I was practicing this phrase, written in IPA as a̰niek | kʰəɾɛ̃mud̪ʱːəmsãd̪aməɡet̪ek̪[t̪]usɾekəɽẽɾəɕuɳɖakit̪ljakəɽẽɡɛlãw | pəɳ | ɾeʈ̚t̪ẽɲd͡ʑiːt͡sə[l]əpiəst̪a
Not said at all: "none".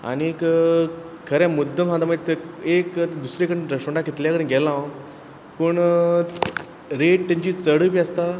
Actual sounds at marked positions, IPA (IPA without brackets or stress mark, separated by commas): d̪, ɽ